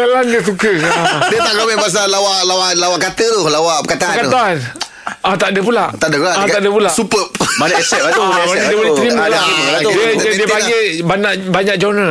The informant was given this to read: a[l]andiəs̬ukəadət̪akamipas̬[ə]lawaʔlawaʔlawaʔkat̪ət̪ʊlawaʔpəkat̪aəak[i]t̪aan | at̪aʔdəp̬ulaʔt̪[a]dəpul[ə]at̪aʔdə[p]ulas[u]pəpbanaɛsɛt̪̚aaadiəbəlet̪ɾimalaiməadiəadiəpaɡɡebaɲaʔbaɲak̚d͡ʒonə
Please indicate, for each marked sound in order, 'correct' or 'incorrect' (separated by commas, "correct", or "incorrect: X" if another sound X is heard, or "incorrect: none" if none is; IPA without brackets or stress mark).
correct, incorrect: a, incorrect: a, correct, incorrect: a, correct, correct